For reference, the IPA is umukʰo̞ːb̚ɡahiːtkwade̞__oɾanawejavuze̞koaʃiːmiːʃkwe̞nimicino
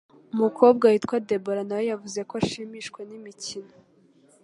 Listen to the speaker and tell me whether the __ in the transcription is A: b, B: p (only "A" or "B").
A